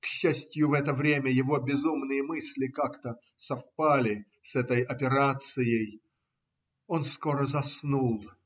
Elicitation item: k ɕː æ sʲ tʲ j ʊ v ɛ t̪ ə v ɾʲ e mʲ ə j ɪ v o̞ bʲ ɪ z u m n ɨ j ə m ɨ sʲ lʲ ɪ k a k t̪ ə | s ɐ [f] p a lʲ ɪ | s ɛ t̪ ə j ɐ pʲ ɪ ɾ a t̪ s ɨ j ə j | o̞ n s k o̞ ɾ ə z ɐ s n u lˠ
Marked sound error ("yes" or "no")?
no